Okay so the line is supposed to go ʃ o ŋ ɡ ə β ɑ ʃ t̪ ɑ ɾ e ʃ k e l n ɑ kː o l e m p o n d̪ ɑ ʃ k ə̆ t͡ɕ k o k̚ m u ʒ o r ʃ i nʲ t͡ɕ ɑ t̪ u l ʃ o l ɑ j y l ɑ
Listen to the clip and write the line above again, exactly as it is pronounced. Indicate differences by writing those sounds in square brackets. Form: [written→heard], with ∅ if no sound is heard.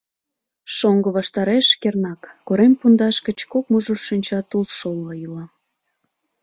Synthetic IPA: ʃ o ŋ ɡ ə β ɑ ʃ t̪ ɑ ɾ e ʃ k e [l→r] n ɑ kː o [l→ɾ] e m p [o→u] n d̪ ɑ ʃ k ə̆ t͡ɕ k o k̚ m u ʒ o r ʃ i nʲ t͡ɕ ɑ t̪ u l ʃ o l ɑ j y l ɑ